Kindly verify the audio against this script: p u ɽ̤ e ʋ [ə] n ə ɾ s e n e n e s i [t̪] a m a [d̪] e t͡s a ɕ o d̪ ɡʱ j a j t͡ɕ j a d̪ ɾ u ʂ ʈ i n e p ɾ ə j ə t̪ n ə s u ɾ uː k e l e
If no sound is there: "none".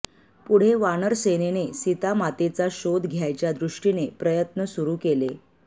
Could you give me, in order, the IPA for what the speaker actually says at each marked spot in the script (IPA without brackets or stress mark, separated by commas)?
a, t̪, t̪